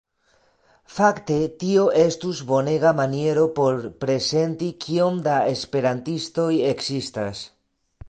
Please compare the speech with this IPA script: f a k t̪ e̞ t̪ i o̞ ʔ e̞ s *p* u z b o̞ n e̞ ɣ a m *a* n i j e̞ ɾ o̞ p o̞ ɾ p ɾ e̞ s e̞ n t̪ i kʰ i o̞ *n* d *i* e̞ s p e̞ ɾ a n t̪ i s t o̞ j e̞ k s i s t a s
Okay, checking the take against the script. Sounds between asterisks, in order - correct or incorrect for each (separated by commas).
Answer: incorrect, correct, incorrect, incorrect